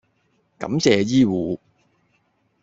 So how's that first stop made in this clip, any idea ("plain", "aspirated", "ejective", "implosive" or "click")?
plain